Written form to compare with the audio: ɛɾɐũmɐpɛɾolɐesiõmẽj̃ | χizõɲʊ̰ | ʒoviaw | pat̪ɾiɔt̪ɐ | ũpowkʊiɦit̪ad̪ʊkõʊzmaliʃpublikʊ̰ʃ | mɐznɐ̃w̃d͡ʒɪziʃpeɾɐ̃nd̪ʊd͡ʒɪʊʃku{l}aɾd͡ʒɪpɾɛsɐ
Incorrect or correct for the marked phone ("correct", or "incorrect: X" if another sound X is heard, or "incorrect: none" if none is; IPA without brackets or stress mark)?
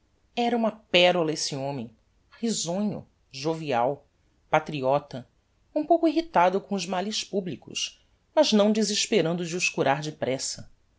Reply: incorrect: ɾ